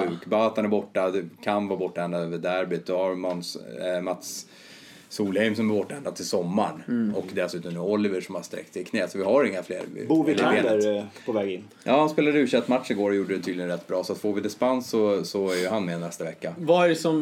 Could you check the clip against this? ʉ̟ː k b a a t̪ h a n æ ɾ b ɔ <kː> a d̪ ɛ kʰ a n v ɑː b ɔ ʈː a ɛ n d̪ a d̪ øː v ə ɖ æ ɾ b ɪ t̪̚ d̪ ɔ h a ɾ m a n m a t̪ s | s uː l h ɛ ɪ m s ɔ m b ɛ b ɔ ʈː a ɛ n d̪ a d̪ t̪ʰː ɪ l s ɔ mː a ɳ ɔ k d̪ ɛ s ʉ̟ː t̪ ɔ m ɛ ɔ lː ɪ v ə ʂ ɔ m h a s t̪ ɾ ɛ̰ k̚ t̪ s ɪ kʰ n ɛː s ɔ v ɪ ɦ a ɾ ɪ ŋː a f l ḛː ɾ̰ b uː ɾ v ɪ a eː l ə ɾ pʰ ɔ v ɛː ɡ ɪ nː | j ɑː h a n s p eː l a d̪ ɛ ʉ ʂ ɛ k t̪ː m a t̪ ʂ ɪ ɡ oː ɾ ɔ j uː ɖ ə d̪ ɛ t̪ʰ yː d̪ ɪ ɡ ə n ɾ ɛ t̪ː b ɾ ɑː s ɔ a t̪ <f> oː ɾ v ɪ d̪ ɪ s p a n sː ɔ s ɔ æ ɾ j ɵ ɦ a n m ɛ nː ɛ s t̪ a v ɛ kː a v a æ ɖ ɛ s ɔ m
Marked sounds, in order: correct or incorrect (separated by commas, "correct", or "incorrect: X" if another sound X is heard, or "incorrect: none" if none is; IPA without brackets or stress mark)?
incorrect: ʈː, correct